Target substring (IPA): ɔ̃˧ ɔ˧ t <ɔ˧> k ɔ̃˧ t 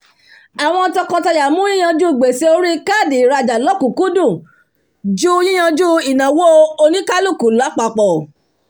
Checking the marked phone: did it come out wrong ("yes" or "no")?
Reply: no